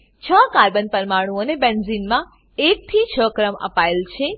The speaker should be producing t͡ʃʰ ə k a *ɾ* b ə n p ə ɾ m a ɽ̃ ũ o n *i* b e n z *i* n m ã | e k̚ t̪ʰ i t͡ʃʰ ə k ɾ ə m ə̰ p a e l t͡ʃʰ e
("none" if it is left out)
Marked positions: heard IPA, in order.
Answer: ɾ, e, i

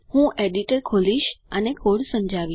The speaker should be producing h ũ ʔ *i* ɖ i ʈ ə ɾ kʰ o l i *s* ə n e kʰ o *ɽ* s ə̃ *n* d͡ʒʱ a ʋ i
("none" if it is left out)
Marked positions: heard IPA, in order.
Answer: e, ʃ, ɽ, m

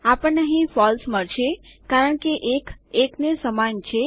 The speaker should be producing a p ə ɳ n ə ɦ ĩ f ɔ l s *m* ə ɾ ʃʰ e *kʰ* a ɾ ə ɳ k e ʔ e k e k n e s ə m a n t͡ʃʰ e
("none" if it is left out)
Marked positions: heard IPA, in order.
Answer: m, k

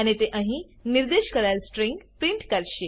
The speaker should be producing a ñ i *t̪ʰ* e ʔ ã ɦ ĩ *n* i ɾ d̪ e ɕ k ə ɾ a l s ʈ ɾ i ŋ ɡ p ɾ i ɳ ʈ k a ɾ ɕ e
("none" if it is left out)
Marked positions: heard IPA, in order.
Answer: t̪, n

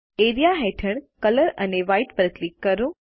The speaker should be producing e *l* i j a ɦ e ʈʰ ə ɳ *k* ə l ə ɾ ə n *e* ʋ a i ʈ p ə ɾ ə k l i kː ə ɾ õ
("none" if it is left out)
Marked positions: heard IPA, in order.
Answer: ɾ, k, e

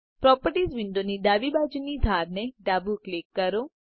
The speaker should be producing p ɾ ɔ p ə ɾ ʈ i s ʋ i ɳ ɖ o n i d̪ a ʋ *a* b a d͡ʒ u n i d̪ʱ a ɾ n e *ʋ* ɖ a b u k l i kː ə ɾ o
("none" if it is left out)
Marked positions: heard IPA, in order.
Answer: i, none

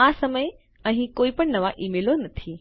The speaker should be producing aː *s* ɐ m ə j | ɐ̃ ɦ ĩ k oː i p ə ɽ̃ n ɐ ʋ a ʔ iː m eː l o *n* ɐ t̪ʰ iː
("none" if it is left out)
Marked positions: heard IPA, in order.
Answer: s, n

